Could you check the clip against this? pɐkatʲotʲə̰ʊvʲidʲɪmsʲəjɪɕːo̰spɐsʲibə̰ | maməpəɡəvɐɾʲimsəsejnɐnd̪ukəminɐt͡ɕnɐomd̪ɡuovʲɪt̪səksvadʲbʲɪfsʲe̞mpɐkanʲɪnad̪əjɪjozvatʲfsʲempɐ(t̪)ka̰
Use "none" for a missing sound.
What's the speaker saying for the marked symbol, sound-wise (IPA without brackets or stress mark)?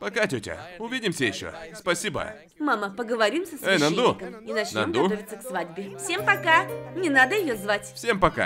none